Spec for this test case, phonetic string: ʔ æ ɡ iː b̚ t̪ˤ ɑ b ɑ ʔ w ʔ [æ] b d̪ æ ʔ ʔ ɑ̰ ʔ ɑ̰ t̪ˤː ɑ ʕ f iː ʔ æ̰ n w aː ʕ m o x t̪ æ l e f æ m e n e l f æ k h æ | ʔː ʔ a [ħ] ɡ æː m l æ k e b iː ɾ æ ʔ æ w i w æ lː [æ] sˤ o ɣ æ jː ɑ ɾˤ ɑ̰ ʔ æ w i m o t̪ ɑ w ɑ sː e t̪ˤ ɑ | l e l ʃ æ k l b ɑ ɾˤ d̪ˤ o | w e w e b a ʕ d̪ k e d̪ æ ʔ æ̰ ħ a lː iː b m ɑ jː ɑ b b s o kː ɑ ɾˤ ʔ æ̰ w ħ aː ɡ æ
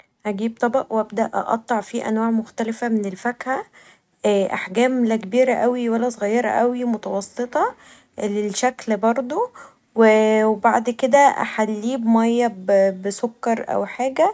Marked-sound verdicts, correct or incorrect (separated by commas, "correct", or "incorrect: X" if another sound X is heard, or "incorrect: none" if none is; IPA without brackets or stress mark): correct, correct, correct